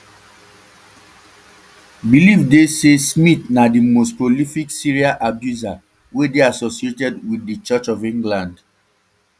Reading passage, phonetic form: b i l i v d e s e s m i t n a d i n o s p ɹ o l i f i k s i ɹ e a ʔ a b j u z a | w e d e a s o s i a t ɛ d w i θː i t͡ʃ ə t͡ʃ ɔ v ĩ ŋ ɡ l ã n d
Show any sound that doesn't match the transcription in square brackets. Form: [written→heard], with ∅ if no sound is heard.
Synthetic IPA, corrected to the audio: b i l i v d e s e s m i t n a d i [n→m] o s p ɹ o l i f i k s i ɹ [e→i] a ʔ a b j u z a | w e d e a s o s i [a→e] t ɛ d w i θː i t͡ʃ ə t͡ʃ ɔ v ĩ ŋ ɡ l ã n d